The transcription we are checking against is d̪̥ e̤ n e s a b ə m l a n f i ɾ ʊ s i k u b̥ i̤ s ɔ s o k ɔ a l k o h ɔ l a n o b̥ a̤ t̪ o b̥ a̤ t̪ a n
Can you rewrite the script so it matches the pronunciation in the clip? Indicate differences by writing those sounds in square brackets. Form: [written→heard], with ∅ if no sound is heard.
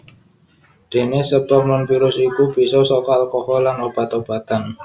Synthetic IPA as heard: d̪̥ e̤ n e s [a→ə] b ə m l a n f i ɾ ʊ s i k u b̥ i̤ s ɔ s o k ɔ a l k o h ɔ l a n o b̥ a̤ t̪ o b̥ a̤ t̪ a n